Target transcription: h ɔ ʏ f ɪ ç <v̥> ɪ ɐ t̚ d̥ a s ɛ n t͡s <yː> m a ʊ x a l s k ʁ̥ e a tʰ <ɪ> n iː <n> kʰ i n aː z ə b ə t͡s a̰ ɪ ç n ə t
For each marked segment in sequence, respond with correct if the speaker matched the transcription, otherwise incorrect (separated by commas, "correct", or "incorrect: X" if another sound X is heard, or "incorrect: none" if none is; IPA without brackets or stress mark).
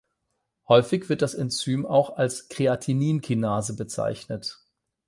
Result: correct, correct, incorrect: i, correct